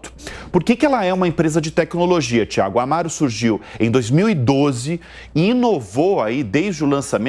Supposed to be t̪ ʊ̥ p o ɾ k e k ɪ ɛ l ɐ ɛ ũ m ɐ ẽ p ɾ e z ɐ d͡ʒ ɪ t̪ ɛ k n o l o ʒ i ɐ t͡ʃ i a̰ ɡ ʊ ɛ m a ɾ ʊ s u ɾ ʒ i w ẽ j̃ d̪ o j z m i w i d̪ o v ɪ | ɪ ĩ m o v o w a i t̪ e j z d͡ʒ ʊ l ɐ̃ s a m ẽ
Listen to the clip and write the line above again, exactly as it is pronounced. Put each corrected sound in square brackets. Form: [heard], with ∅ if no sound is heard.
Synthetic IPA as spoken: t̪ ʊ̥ p o ɾ k e k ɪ ɛ l ɐ ɛ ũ m ɐ ẽ p ɾ e z ɐ d͡ʒ ɪ t̪ ɛ k n o l o ʒ i ɐ t͡ʃ i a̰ ɡ ʊ [a] m a ɾ ʊ s u ɾ ʒ i w ẽ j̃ d̪ o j z m i w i d̪ o [z] ɪ | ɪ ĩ [n] o v o w a i [d̪] e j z d͡ʒ ʊ l ɐ̃ s a m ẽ